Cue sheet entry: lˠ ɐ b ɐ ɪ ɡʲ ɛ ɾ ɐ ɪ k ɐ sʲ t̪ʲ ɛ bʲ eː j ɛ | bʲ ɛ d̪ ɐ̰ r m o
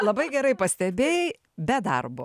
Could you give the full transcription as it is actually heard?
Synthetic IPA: lˠ ɐ b ɐ ɪ ɡʲ ɛ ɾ ɐ ɪ p ɐ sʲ t̪ʲ ɛ bʲ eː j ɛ | bʲ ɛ d̪ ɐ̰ r b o